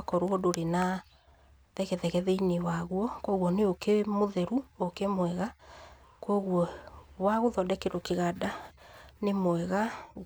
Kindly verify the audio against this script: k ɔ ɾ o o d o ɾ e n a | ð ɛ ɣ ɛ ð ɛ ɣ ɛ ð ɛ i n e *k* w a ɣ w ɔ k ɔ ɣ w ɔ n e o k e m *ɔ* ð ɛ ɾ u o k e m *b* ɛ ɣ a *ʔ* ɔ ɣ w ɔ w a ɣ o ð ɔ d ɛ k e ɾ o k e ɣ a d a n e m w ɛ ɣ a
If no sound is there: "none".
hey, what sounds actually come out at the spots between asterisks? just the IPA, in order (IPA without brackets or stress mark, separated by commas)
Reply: none, o, w, k